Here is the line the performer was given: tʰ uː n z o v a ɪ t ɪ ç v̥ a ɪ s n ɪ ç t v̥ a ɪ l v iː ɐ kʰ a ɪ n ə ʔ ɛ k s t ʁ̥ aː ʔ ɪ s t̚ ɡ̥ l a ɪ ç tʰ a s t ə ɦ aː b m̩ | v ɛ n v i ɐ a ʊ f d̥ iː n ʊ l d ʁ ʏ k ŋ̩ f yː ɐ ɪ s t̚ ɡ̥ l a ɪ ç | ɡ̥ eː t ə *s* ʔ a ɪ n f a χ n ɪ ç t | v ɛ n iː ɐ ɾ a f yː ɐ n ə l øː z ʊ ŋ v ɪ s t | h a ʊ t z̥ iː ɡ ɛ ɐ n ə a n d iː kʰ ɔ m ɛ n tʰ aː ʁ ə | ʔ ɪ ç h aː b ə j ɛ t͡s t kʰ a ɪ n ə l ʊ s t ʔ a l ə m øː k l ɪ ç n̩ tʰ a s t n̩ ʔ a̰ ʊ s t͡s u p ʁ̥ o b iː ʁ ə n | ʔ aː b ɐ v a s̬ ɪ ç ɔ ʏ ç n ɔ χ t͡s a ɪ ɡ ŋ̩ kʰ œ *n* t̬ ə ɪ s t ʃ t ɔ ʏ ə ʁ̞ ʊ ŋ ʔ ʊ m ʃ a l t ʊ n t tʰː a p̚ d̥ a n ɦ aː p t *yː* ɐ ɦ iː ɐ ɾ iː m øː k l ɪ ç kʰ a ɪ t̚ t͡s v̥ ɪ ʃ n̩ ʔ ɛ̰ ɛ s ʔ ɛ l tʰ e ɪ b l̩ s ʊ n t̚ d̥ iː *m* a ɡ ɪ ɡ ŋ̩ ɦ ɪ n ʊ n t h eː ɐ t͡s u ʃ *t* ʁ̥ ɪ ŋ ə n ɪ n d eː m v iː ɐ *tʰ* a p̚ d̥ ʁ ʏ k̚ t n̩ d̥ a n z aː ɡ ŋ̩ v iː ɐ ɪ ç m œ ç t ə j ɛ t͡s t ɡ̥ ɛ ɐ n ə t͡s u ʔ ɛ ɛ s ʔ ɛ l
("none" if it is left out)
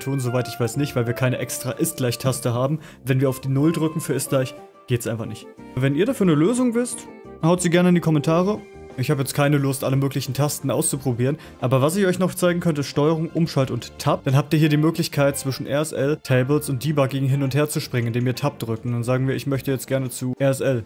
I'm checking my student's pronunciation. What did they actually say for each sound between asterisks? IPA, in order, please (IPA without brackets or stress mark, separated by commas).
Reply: s, n, iː, b, p, tʰ